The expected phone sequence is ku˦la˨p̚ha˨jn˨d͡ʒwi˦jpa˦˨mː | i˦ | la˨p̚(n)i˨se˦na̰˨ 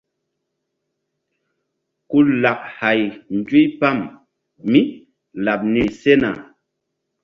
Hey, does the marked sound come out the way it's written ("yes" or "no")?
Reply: yes